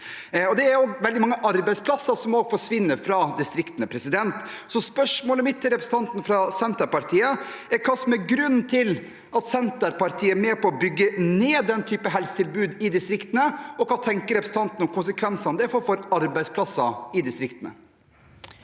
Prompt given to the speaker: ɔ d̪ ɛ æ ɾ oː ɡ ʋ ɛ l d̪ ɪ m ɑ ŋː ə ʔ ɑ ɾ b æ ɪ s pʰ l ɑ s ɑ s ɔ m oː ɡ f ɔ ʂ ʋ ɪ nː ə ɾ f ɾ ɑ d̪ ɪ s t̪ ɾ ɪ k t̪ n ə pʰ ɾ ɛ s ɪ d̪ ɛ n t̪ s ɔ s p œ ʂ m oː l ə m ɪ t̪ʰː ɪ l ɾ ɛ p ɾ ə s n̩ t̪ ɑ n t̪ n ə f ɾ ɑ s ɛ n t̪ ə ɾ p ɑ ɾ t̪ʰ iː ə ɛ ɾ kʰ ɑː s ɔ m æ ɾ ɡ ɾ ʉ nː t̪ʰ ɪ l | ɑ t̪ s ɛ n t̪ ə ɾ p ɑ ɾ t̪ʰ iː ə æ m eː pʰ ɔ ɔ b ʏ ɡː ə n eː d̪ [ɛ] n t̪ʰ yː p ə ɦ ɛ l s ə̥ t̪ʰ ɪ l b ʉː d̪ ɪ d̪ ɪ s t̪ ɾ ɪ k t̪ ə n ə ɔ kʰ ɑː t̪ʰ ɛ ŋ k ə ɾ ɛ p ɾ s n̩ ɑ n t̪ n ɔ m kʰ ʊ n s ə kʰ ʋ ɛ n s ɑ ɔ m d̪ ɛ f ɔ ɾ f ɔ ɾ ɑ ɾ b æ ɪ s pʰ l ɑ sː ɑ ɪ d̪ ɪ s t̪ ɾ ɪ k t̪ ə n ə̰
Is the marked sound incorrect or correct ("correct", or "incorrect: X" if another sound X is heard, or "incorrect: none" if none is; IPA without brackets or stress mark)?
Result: correct